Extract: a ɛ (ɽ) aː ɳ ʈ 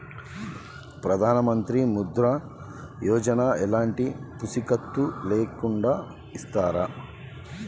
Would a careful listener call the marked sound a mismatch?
yes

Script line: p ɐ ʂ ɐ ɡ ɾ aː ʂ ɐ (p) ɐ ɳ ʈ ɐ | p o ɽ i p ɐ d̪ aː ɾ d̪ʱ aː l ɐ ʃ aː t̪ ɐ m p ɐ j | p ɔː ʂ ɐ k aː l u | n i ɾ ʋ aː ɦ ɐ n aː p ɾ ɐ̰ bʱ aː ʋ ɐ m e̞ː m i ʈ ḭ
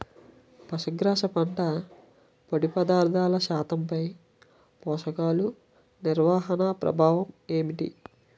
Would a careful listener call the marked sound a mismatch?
no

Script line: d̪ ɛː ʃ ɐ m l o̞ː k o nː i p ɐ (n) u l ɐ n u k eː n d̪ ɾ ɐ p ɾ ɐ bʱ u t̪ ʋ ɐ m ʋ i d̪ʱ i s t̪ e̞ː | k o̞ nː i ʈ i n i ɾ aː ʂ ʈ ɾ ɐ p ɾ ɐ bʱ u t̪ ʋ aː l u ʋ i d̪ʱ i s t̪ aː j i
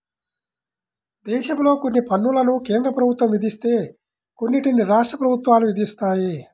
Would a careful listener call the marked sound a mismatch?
yes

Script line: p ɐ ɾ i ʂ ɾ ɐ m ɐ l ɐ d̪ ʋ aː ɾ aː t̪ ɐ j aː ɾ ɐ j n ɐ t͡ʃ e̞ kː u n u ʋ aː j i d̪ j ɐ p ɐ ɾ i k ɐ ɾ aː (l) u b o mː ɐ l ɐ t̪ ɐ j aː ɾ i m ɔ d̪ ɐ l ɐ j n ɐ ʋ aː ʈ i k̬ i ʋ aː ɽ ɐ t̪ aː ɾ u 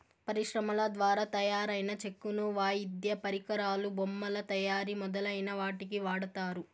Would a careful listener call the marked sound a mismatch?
no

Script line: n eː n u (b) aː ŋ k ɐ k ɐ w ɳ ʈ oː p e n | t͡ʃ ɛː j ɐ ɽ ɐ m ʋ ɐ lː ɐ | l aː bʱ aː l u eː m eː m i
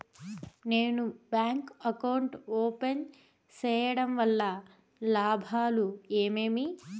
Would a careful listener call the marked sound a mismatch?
no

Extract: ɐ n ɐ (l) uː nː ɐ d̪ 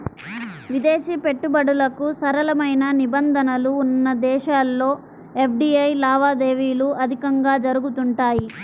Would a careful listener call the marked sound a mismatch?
no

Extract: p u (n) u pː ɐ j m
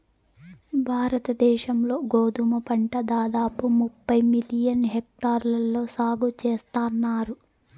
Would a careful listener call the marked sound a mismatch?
yes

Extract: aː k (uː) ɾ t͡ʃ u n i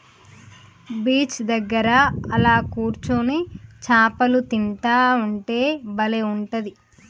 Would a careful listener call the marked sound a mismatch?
no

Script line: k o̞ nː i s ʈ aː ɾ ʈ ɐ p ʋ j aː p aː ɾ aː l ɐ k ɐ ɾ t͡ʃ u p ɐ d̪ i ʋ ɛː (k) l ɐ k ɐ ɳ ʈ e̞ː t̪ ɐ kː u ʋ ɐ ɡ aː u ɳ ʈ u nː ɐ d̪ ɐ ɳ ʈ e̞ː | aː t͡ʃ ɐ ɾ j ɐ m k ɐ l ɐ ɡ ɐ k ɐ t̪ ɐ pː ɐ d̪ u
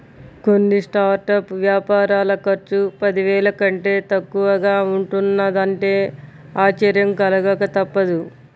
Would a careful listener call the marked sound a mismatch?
yes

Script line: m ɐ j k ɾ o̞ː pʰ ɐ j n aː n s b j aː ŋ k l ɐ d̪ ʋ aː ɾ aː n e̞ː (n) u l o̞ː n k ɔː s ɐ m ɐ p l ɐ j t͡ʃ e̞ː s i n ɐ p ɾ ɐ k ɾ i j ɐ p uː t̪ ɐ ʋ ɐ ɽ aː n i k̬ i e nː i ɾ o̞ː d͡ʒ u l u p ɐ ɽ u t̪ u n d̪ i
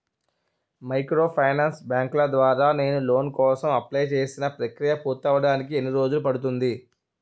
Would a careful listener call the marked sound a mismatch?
no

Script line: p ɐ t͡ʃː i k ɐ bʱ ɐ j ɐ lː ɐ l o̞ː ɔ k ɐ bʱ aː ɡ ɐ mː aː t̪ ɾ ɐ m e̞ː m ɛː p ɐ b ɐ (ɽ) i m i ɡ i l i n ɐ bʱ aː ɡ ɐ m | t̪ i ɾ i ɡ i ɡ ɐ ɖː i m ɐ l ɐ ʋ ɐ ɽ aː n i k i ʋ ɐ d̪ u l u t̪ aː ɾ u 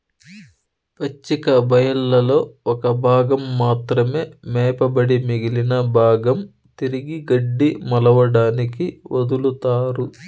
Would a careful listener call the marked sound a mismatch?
no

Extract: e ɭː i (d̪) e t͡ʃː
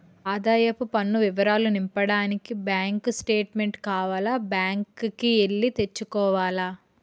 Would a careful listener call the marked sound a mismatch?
yes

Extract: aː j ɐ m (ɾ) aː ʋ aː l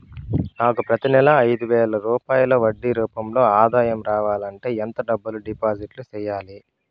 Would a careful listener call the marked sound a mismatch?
no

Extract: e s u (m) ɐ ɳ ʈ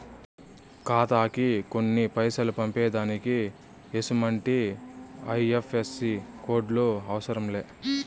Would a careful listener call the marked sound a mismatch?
no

